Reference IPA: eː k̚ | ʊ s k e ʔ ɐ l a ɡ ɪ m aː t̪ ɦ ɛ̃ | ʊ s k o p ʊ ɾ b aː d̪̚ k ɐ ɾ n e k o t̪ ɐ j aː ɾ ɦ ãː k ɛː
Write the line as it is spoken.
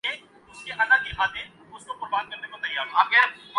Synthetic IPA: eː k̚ | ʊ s k e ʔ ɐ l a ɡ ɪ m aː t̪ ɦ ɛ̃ | ʊ s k o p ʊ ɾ b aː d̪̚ k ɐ ɾ n e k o t̪ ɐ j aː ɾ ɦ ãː k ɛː